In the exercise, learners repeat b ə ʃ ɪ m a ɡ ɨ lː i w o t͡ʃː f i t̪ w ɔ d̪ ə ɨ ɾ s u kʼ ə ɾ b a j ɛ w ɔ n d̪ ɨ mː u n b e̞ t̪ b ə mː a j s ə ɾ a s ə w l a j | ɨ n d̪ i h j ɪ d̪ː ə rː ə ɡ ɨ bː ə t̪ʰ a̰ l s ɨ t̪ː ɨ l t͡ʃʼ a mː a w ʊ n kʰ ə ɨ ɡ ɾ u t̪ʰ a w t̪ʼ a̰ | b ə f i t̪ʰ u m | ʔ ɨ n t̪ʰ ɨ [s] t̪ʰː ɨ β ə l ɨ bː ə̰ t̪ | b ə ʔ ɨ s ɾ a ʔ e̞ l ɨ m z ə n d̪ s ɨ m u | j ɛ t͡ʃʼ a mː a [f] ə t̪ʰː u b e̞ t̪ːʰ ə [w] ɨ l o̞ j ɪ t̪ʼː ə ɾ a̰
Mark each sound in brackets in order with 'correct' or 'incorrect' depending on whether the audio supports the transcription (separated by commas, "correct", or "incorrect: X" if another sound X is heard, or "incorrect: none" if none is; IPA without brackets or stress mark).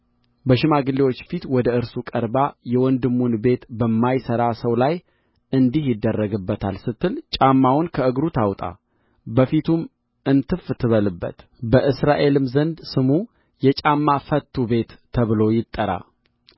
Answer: incorrect: f, correct, incorrect: β